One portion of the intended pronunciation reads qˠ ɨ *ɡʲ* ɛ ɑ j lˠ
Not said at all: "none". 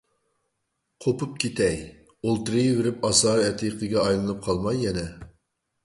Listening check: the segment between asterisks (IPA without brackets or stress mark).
ɡʲ